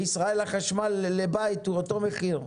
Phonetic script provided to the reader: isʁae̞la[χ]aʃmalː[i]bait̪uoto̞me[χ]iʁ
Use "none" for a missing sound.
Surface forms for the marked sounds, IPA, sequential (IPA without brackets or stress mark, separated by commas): χ, e, χ